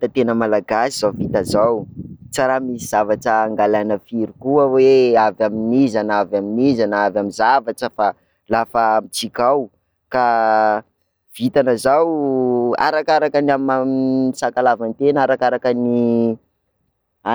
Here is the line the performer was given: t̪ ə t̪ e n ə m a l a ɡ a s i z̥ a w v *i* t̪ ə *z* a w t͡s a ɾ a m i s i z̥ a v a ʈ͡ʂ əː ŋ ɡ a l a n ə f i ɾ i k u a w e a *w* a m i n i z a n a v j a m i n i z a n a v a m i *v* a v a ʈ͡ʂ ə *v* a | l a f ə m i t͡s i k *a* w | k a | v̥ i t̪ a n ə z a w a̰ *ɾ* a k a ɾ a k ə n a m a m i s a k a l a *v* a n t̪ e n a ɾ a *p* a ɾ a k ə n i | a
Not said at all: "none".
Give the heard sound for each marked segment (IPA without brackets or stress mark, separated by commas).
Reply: i, z, v, z, f, a, ɾ, v, k